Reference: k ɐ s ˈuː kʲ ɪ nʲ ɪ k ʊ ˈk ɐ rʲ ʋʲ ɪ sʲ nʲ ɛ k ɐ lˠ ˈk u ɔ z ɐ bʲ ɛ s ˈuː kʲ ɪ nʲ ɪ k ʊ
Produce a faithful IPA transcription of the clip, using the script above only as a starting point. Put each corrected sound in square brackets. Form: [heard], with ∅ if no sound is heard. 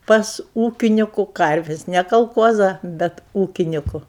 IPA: [p] ɐ s ˈuː kʲ ɪ nʲ ɪ k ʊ ˈk ɐ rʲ ʋʲ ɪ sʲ nʲ ɛ k ɐ lˠ ˈk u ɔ z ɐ bʲ ɛ [t] ˈuː kʲ ɪ nʲ ɪ k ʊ